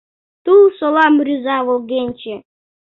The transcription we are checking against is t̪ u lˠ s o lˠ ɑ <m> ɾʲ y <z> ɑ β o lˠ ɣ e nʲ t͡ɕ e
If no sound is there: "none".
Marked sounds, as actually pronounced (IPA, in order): m, z

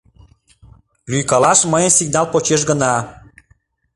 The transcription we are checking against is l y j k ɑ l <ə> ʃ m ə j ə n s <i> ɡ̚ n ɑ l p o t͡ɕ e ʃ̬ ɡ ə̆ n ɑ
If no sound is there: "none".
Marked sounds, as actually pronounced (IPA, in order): ɑ, i

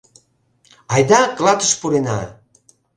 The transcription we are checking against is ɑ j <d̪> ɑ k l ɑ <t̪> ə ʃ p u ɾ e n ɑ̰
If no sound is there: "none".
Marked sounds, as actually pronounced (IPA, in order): d̪, t̪

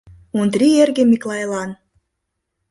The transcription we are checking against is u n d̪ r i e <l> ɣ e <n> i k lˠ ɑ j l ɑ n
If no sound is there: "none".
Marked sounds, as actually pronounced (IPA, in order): r, m

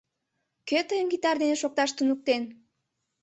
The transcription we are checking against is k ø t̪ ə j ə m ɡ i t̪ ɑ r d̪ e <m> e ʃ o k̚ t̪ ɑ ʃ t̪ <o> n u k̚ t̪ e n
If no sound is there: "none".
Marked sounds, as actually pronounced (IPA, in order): n, u

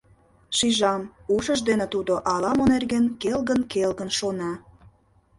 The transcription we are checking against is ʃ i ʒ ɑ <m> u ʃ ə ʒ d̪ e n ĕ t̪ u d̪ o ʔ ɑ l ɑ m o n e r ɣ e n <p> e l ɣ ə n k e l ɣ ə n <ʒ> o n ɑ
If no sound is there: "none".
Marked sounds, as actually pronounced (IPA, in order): m, k, ʃ

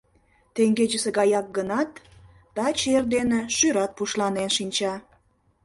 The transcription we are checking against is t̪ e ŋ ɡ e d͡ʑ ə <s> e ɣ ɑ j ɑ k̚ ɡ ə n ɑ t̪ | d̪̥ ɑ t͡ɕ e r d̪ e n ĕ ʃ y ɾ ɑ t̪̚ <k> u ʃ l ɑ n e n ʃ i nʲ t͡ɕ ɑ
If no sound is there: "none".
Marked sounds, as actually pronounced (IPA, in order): s, p

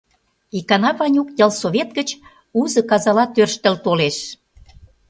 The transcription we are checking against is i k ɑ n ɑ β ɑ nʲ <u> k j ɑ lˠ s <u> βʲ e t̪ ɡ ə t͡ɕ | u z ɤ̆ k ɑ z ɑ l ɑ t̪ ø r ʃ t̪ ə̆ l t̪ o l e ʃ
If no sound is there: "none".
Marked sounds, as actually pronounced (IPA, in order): u, o

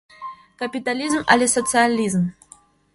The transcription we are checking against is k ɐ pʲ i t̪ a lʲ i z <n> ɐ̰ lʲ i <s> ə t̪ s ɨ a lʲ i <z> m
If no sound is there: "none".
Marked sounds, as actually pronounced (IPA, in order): m, s, z

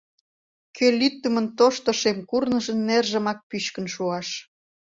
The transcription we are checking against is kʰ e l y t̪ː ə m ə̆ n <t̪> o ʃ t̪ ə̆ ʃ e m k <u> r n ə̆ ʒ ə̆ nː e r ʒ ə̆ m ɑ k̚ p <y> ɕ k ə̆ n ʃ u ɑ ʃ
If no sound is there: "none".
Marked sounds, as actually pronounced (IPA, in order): t̪, u, y

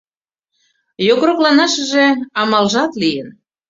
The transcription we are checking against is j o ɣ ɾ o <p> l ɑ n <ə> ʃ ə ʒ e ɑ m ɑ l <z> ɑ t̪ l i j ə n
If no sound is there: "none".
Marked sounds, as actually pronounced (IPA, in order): k, ɑ, ʒ

